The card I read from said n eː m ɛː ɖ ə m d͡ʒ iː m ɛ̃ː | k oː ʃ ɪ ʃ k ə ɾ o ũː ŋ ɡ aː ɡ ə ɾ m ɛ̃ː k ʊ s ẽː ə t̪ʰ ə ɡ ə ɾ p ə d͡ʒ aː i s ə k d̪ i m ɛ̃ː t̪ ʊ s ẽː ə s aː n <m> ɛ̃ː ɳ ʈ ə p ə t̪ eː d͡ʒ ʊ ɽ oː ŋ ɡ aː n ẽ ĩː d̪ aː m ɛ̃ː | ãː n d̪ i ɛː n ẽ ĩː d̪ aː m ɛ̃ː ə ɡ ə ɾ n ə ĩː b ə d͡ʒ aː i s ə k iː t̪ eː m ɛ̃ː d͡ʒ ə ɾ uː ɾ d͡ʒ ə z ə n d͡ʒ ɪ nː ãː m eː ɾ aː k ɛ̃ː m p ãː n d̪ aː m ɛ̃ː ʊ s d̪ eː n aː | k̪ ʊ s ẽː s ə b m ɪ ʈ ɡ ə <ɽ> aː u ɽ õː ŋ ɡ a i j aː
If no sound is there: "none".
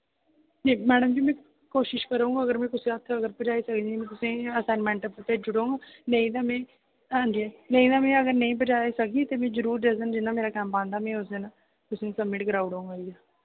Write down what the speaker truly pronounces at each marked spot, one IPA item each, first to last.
m, ɾ

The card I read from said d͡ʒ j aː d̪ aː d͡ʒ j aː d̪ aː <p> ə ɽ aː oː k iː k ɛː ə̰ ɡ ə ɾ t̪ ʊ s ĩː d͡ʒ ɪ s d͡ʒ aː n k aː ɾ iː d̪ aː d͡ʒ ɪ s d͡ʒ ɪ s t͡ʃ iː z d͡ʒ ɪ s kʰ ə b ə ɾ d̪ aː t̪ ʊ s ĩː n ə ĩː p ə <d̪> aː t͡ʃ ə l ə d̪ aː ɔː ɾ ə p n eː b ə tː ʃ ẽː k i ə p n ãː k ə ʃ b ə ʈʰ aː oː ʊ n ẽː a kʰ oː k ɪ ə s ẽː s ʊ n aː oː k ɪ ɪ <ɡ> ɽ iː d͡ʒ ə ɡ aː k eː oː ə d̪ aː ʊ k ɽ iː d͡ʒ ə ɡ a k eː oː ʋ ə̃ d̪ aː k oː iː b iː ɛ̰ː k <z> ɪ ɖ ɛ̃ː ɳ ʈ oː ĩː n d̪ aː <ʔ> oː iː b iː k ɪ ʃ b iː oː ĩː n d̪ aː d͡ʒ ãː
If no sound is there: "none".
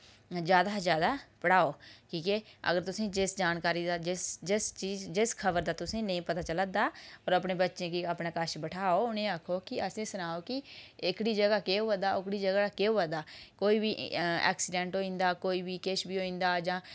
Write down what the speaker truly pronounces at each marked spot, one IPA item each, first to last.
p, t̪, k, s, k

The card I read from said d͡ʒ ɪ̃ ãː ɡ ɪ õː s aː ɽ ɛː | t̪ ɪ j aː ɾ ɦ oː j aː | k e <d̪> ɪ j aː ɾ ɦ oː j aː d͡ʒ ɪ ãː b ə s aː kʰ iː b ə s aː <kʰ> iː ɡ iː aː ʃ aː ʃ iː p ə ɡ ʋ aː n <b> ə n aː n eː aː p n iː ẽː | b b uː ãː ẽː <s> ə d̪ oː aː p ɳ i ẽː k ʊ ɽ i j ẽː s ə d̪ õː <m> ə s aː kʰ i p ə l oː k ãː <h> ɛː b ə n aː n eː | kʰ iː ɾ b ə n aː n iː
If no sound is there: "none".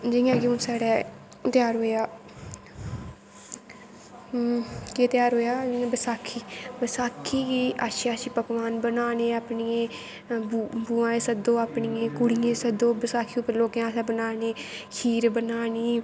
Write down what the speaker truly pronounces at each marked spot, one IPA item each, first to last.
t̪, kʰ, b, s, b, s

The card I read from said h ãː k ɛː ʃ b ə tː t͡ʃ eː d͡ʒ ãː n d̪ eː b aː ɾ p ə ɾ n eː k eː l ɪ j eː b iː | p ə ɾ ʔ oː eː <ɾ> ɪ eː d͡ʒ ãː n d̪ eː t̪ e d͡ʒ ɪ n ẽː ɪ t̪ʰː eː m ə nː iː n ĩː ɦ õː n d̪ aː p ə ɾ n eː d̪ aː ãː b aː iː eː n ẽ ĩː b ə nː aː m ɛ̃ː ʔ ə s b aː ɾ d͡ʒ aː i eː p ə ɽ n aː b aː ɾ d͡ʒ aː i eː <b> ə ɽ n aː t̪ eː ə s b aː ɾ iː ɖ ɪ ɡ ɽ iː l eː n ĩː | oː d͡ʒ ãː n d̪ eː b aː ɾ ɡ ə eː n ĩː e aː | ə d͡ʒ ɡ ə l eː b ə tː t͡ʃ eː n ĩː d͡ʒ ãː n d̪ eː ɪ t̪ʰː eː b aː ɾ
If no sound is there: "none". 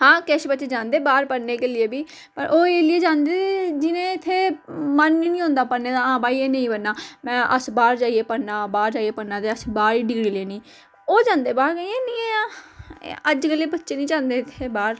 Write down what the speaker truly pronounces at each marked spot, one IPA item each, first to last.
l, p

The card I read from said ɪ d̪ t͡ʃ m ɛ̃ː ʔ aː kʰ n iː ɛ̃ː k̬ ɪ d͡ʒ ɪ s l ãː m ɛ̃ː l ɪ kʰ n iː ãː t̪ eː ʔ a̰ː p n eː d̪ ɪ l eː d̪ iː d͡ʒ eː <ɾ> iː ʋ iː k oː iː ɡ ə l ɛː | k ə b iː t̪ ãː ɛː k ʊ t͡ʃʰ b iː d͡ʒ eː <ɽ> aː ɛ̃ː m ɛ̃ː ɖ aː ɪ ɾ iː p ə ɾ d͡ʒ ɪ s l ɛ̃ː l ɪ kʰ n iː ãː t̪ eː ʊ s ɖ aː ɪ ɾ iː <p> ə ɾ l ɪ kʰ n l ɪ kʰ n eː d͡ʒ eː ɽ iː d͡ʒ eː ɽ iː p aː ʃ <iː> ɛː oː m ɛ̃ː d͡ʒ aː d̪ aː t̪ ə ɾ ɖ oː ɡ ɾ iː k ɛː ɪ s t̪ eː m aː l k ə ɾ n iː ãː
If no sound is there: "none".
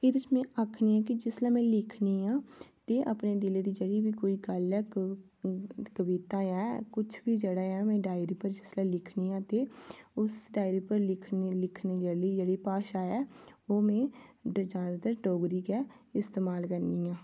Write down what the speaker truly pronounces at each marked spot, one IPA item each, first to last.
ɽ, ɽ, p, aː

